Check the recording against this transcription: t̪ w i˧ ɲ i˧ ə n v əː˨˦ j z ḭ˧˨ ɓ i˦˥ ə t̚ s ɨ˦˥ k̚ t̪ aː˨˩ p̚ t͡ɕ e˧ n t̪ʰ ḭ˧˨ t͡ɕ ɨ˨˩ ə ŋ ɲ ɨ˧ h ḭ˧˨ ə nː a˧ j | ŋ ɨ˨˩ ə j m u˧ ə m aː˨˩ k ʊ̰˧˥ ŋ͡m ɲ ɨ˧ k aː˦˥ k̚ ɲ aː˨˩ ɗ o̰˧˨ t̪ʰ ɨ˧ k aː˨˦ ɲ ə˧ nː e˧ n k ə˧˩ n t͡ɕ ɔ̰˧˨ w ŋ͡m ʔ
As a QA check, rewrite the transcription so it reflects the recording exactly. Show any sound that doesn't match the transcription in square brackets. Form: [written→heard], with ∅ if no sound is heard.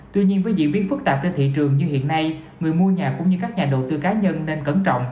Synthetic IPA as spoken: t̪ w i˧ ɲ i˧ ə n v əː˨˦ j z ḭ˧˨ ɓ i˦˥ ə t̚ [s→f] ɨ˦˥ k̚ t̪ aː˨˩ p̚ t͡ɕ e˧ n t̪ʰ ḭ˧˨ t͡ɕ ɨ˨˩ ə ŋ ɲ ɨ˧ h ḭ˧˨ ə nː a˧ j | ŋ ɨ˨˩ ə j m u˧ ə [m→ɲ] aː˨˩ k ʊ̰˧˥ ŋ͡m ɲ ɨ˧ k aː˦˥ k̚ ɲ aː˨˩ ɗ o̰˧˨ [t̪ʰ→t̪] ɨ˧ k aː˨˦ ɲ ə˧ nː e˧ n k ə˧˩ n t͡ɕ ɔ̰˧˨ w ŋ͡m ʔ